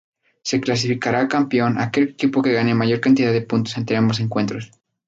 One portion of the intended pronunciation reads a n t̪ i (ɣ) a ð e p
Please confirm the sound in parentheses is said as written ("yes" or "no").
no